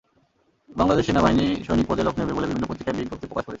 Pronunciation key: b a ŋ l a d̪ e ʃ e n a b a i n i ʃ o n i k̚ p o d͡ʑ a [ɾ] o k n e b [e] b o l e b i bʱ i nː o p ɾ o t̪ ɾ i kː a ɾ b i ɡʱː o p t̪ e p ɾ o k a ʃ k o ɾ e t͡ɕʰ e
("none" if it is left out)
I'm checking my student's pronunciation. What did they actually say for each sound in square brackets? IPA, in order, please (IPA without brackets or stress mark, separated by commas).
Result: l, e